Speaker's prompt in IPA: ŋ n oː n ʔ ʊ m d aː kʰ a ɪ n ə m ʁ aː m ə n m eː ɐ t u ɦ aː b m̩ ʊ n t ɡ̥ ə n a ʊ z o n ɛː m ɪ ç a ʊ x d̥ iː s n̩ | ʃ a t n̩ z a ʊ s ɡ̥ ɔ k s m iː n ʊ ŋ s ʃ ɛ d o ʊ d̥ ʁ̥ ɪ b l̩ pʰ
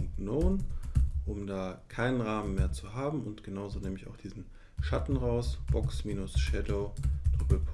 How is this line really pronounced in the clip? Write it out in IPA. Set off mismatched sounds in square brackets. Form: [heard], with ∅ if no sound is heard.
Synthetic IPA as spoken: ŋ n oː n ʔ ʊ m d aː kʰ a ɪ n ə [n] ʁ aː m ə n m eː ɐ [t͡s] u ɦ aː b m̩ ʊ n t ɡ̥ ə n a ʊ z o n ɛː m ɪ ç a ʊ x d̥ iː [z] n̩ | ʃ a t n̩ [ʁ] a ʊ s [b̥] ɔ k s m iː n ʊ [∅] s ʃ ɛ d o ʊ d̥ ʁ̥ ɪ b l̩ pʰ